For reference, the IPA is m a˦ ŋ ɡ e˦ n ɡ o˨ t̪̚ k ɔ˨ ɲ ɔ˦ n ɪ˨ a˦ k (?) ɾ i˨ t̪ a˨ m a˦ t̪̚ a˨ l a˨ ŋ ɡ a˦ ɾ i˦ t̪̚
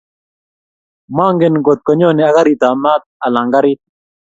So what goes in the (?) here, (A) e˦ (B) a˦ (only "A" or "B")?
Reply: B